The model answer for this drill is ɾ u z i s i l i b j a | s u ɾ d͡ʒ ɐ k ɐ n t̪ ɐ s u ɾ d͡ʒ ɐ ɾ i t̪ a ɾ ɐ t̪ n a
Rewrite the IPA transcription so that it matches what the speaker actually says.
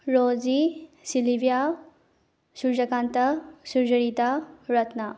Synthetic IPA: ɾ o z i s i l i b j a | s u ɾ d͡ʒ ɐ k a n t̪ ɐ s u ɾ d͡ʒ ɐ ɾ i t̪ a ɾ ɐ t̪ n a